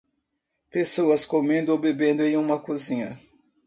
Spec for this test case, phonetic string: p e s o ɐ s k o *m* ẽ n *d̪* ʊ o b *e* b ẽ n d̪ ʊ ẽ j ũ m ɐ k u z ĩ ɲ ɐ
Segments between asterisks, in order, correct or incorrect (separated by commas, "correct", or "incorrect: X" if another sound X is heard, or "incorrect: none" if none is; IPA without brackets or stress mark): correct, correct, correct